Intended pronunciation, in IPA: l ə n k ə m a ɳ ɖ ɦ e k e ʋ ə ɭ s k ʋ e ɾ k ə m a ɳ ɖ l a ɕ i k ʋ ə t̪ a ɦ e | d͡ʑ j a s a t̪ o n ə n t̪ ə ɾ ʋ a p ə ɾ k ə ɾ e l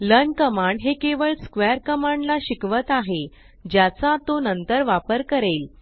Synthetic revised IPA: l ə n k ə m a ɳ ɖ ɦ e k e ʋ ə ɭ s k ʋ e ɾ k ə m a ɳ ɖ l a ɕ i k ʋ ə t̪ a ɦ e | d͡ʑ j a t͡s a t̪ o n ə n t̪ ə ɾ ʋ a p ə ɾ k ə ɾ e l